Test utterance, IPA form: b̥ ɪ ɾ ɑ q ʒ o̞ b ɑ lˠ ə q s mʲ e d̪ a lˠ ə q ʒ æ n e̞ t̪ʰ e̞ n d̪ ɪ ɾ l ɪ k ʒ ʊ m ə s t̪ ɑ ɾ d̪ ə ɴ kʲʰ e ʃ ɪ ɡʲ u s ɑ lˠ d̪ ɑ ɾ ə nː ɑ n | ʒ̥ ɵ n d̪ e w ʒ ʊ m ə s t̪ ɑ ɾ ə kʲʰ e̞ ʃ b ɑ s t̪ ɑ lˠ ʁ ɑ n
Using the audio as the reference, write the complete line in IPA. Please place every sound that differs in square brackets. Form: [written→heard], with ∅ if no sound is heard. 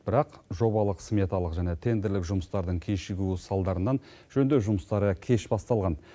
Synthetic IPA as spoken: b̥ ɪ ɾ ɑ q ʒ o̞ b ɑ lˠ ə q s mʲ e [d̪→t̪] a lˠ ə q ʒ æ n e̞ t̪ʰ e̞ n d̪ ɪ ɾ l ɪ k ʒ ʊ m ə s t̪ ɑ ɾ d̪ ə ɴ kʲʰ e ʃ ɪ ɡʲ u s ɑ lˠ d̪ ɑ ɾ ə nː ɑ n | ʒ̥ ɵ n d̪ e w ʒ ʊ m ə s t̪ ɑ ɾ ə kʲʰ e̞ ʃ b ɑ s t̪ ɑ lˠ ʁ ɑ n

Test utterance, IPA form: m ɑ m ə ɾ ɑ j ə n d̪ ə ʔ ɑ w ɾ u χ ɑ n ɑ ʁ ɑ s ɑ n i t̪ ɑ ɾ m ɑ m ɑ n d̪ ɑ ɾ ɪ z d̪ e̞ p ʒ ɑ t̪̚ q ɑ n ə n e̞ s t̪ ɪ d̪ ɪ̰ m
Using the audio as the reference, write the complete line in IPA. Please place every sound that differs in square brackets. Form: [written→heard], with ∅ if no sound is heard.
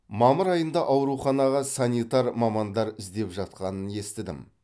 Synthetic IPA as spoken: m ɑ m ə ɾ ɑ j ə n d̪ [ə→ɑ] ʔ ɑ w ɾ u χ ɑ n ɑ ʁ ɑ s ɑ n i t̪ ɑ ɾ m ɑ m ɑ n d̪ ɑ ɾ ɪ z d̪ e̞ p ʒ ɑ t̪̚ q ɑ n ə n e̞ s t̪ ɪ d̪ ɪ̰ m

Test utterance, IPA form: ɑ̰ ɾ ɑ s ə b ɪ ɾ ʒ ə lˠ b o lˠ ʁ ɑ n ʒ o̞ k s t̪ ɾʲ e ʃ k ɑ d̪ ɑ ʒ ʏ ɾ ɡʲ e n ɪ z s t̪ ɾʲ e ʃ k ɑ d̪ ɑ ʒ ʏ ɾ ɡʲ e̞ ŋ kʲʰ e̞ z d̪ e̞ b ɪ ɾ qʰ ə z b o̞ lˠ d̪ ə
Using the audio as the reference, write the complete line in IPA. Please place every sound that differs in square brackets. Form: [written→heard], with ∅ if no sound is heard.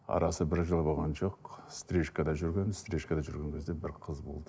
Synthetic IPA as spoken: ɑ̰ ɾ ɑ s ə b ɪ ɾ ʒ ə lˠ b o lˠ ʁ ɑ n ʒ o̞ [k→q] s t̪ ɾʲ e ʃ k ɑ d̪ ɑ ʒ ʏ ɾ ɡʲ e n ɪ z s t̪ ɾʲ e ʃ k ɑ d̪ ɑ ʒ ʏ ɾ ɡʲ e̞ ŋ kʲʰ e̞ z d̪ e̞ b ɪ ɾ qʰ ə z b o̞ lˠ d̪ ə

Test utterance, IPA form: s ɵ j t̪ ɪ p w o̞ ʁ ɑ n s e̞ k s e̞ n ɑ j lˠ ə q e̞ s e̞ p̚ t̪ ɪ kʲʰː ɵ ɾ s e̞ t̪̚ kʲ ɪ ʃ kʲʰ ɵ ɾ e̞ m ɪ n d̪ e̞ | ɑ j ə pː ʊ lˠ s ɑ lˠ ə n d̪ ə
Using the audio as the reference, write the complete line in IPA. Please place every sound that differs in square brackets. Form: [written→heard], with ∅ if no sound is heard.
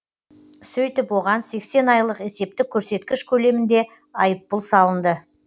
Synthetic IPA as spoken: s ɵ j t̪ ɪ p w o̞ ʁ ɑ n s e̞ k s e̞ n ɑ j lˠ ə q e̞ s e̞ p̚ t̪ ɪ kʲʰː ɵ ɾ s e̞ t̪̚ kʲ ɪ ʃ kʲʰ ɵ [ɾ→l] e̞ m ɪ n d̪ e̞ | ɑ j ə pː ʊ lˠ s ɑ lˠ ə n d̪ ə

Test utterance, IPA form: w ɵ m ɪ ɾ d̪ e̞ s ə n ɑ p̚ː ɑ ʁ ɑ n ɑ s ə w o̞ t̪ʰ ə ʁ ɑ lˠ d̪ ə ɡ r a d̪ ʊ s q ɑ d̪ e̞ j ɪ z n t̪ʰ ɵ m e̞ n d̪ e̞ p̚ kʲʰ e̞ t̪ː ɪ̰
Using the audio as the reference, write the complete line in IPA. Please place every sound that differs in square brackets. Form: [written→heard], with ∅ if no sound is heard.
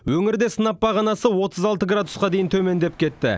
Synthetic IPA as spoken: w ɵ [m→ŋ] ɪ ɾ d̪ e̞ s ə n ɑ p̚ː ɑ ʁ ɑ n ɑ s ə w o̞ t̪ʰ ə [ʁ→z] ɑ lˠ [d̪→t̪] ə ɡ r a d̪ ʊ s q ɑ d̪ e̞ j ɪ [z→∅] n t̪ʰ ɵ m e̞ n d̪ e̞ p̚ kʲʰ e̞ t̪ː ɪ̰

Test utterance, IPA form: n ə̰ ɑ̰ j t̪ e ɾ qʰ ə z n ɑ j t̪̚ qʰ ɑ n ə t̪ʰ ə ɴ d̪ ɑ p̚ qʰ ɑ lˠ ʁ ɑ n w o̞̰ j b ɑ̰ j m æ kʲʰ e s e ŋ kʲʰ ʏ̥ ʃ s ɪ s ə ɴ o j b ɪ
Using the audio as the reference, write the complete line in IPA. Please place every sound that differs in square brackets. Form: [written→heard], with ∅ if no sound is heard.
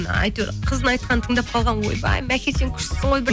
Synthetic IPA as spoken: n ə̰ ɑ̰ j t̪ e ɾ qʰ ə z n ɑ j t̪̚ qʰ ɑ n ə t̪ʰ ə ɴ d̪ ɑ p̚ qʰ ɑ lˠ ʁ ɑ n w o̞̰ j b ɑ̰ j m æ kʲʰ e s e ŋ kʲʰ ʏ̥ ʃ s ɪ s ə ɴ o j b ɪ

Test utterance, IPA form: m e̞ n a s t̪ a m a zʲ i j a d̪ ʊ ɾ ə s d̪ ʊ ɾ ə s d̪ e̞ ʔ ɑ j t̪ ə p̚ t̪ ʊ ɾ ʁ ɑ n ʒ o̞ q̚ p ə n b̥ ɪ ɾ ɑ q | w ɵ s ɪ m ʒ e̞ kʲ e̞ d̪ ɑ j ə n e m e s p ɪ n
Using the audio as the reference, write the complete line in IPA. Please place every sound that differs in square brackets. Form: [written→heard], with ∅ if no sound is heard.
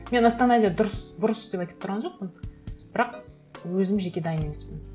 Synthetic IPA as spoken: m e̞ n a s t̪ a [m→n] a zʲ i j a d̪ ʊ ɾ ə s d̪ ʊ ɾ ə s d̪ e̞ [ʔ→p] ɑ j t̪ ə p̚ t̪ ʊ ɾ ʁ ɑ n ʒ o̞ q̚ p ə n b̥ ɪ ɾ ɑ q | w ɵ [s→z] ɪ m ʒ e̞ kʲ e̞ d̪ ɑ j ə n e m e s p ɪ n

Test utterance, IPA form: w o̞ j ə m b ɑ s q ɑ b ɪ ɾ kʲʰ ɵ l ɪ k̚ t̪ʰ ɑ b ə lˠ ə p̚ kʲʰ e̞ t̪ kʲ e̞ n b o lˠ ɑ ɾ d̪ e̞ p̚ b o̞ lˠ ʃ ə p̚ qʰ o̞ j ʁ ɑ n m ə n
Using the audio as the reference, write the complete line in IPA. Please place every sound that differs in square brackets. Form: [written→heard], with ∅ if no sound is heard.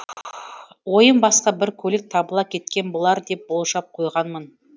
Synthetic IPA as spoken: w o̞ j ə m b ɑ s q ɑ b ɪ ɾ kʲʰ ɵ l ɪ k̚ t̪ʰ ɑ b ə lˠ [ə→ɑ] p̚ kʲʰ e̞ t̪ kʲ e̞ n b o lˠ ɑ ɾ d̪ e̞ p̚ b o̞ lˠ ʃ [ə→ɑ] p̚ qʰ o̞ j ʁ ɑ n m ə n

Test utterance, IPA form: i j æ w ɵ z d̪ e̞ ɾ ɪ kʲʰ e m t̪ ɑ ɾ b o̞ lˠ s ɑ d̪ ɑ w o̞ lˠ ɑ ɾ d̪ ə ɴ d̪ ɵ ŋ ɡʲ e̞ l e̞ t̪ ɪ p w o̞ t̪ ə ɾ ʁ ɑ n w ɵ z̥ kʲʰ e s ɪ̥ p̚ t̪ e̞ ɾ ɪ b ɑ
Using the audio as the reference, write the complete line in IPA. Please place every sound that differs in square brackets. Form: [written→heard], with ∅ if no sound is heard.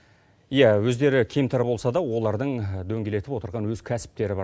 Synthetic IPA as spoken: i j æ w ɵ z d̪ e̞ ɾ ɪ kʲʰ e m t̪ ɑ ɾ b o̞ lˠ s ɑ d̪ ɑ w o̞ lˠ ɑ ɾ d̪ ə ɴ d̪ ɵ ŋ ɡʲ e̞ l e̞ t̪ ɪ p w o̞ t̪ ə ɾ ʁ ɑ n w ɵ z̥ kʲʰ [e→æ] s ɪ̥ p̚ t̪ e̞ ɾ ɪ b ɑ

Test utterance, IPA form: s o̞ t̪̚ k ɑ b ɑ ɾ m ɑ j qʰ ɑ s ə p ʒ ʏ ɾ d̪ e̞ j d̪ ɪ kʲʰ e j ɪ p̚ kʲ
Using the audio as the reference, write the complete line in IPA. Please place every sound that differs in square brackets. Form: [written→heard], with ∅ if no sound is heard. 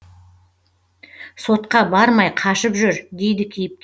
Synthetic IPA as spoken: s o̞ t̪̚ [k→q] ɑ b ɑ ɾ m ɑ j qʰ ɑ [s→ʃ] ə p ʒ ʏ ɾ d̪ e̞ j d̪ ɪ kʲʰ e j ɪ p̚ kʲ

